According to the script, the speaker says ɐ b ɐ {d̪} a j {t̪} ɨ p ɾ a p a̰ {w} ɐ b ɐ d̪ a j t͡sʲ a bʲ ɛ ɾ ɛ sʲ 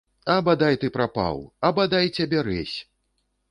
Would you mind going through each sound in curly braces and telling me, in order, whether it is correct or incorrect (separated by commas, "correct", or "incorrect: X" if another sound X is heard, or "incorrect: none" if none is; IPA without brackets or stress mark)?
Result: correct, correct, correct